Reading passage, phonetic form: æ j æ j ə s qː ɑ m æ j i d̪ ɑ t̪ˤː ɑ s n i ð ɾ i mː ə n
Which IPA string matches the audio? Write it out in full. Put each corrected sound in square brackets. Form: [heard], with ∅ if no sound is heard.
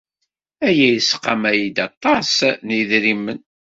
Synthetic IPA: æ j æ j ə s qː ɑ m æ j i d̪ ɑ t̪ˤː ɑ s n i ð ɾ i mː ə n